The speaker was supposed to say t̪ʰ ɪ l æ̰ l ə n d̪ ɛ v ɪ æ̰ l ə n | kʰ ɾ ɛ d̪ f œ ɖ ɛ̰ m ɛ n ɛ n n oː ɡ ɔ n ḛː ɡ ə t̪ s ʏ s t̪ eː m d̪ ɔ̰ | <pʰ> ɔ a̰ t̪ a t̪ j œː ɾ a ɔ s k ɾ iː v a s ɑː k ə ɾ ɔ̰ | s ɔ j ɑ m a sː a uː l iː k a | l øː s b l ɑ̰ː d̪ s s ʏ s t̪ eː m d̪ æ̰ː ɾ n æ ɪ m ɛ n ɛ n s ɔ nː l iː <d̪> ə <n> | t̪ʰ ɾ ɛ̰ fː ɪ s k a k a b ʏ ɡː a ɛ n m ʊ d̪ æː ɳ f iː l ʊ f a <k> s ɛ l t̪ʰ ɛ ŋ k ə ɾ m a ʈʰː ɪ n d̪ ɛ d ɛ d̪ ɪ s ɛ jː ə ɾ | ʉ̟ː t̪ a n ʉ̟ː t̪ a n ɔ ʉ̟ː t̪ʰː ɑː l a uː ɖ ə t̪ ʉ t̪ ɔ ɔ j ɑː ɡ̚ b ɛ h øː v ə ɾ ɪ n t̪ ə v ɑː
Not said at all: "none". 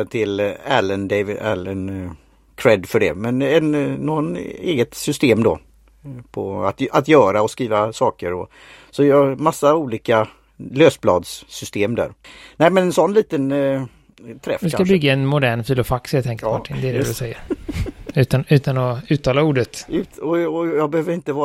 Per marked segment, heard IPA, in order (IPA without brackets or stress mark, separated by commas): pʰ, t̪, n, k